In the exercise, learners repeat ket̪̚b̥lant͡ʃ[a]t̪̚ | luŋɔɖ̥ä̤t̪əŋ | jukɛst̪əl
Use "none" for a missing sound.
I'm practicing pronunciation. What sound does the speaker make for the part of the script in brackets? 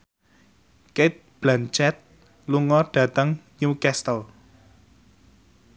ɛ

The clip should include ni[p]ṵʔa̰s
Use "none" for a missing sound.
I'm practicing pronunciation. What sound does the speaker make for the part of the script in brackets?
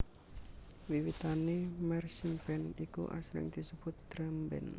k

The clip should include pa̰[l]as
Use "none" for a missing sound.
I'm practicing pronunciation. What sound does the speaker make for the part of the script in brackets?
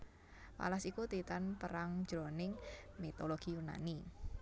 l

